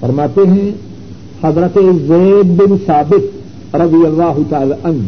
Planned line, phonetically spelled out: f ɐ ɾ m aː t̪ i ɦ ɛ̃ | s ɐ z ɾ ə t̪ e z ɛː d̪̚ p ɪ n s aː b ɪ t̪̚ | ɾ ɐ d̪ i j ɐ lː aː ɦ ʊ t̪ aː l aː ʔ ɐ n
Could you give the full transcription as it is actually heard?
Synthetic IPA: f ɐ ɾ m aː t̪ e ɦ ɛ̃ | h ɐ z ɾ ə t̪ e z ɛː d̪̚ b ɪ n s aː b ɪ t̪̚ | ɾ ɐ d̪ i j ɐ lː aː ɦ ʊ t̪ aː l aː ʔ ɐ n